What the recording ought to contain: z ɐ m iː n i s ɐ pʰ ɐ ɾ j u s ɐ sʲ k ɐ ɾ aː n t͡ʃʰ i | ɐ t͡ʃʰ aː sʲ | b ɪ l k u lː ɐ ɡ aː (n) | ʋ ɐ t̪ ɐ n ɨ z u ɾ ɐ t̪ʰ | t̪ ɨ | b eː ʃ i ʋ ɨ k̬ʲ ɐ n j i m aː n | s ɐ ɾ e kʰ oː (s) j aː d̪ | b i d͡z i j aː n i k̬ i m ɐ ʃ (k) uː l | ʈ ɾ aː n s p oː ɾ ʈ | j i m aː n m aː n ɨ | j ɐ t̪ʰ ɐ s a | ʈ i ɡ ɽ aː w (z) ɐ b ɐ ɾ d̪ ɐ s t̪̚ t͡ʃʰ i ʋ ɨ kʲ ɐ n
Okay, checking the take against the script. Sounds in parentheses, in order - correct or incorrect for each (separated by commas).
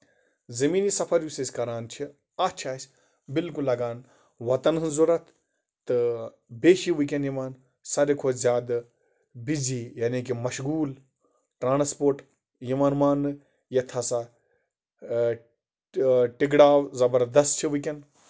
correct, incorrect, incorrect, correct